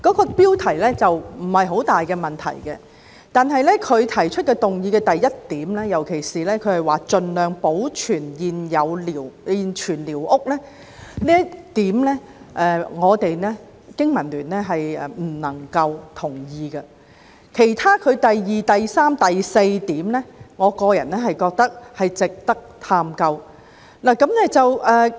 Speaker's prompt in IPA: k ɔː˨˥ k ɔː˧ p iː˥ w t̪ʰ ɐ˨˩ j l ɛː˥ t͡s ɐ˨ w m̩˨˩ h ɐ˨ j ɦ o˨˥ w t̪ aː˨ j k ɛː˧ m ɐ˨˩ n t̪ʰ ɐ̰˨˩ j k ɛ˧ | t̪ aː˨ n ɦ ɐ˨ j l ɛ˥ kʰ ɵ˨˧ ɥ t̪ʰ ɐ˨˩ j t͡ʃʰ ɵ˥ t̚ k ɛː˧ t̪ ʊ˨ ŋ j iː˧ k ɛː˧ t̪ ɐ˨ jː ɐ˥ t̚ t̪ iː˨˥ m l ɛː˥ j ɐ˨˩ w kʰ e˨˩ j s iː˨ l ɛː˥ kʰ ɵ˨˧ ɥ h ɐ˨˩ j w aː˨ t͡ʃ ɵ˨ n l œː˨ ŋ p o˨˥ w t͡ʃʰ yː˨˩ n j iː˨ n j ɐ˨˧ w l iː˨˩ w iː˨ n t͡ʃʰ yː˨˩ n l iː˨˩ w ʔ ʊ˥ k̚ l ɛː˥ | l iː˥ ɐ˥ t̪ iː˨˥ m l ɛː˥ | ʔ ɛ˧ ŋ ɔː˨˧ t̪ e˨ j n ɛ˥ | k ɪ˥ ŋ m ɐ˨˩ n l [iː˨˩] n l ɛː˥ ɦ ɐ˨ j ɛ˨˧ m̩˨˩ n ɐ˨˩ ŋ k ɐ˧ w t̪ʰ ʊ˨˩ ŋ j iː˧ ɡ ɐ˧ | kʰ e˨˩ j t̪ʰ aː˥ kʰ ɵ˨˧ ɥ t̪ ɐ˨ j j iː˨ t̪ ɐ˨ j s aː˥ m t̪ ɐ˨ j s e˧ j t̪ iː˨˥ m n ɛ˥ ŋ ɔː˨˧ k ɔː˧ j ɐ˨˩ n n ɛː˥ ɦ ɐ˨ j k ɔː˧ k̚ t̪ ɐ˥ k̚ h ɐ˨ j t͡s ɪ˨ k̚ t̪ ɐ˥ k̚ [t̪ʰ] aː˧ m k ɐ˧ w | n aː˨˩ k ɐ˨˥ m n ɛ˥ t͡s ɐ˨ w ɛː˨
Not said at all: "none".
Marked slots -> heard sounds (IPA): yː˨˩, t̪ʰ

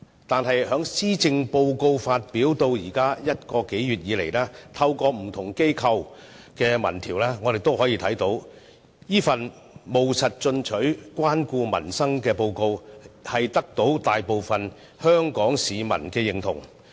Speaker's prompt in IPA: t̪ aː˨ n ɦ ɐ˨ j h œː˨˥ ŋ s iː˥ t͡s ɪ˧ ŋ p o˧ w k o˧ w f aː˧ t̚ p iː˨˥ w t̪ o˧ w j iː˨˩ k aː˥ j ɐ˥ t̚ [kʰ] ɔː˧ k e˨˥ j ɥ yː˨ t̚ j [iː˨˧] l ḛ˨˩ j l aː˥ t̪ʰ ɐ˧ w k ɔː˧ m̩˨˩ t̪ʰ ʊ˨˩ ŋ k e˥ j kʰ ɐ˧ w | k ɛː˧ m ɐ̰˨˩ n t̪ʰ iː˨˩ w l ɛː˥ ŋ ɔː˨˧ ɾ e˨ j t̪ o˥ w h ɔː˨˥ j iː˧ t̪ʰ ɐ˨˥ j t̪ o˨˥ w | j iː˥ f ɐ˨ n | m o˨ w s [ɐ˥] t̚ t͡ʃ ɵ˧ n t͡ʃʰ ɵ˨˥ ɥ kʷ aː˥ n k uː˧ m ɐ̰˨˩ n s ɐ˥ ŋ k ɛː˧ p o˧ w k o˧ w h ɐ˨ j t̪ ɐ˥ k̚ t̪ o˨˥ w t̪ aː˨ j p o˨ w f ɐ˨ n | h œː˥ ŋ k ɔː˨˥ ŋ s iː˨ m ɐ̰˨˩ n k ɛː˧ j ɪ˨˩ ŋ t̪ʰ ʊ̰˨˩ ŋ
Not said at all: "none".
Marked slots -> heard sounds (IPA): k, iː˨˧, ɐ˨

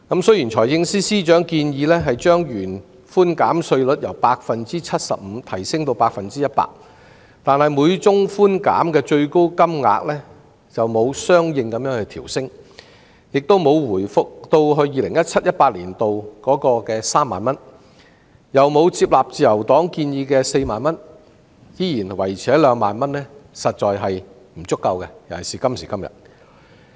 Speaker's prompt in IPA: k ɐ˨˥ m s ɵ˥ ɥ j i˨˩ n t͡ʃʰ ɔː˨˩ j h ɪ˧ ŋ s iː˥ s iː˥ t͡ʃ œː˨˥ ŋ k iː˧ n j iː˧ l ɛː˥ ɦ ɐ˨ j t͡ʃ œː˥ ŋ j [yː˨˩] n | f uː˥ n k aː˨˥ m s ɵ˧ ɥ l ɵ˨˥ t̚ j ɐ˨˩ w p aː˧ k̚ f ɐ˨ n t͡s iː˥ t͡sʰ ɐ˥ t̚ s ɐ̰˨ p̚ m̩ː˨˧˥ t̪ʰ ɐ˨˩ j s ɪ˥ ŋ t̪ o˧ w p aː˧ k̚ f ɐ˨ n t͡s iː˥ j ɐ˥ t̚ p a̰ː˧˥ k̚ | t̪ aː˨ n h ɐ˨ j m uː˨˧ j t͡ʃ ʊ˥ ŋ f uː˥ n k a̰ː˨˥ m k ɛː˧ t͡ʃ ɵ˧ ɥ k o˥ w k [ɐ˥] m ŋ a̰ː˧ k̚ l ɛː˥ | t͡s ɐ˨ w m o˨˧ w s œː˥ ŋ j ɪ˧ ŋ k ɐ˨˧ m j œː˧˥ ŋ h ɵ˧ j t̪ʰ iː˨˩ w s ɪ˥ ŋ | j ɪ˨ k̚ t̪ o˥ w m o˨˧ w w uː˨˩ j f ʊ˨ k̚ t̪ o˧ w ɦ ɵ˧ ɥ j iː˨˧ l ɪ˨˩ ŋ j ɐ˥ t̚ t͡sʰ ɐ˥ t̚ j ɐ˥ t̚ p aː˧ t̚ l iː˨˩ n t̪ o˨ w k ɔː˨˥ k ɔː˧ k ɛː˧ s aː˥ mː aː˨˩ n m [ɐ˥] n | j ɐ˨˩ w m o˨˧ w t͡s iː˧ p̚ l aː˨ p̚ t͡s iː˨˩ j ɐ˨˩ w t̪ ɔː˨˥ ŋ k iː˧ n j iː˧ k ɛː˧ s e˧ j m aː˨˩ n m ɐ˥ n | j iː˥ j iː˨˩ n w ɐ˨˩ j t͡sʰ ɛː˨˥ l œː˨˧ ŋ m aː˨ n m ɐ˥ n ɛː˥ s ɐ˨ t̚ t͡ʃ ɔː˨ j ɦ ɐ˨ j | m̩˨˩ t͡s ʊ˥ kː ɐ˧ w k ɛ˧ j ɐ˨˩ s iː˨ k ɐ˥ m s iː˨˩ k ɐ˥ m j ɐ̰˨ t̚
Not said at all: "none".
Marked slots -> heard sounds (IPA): yː˨˩, ɐ˥, ɐ˥

